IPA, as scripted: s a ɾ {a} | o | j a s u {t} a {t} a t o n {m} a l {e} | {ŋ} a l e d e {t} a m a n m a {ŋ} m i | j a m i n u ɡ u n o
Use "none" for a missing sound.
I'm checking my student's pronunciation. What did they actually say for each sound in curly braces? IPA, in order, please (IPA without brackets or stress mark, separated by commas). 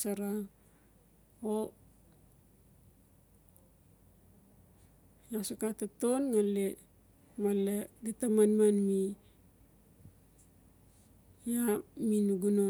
a, k, t, ŋ, e, m, t, n